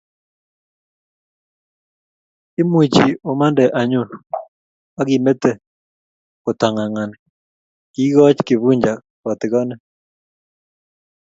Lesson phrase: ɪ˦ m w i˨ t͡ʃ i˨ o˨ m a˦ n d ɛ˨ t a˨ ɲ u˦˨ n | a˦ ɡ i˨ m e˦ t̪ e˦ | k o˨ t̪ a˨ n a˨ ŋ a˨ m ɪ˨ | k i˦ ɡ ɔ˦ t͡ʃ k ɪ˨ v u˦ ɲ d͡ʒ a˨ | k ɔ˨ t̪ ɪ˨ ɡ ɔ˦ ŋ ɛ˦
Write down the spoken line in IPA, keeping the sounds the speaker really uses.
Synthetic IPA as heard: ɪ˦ m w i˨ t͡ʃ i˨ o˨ m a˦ n d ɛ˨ ʔ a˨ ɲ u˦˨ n | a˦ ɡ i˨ m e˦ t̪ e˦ | k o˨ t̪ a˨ ŋ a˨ ŋ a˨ n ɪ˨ | k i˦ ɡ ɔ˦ t͡ʃ k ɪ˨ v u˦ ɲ d͡ʒ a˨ | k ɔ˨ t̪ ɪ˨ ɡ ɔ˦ n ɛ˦